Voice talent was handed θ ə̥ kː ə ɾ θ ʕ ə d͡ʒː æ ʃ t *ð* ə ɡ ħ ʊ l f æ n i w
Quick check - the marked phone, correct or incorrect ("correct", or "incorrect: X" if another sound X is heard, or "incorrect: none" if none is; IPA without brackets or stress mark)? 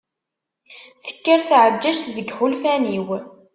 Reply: correct